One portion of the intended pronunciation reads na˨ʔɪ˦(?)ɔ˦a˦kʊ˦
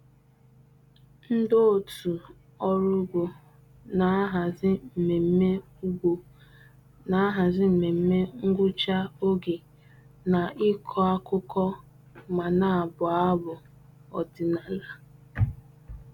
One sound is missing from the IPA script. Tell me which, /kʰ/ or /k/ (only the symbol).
kʰ